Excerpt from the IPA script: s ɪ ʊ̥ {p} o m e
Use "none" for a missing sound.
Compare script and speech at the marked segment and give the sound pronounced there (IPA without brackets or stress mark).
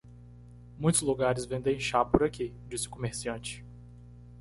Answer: k